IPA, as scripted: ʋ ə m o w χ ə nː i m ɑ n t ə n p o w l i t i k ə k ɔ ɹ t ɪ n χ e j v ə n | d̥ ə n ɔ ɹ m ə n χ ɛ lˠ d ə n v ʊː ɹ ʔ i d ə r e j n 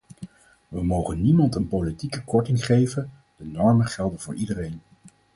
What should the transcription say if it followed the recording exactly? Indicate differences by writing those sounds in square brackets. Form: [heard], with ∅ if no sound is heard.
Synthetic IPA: ʋ ə m o w χ ə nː i m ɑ n t ə n p o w l i t i k ə k ɔ ɹ t ɪ [ŋ] χ e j v ə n | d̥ ə n ɔ ɹ m ə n χ ɛ lˠ d ə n v ʊː ɹ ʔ i d ə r e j n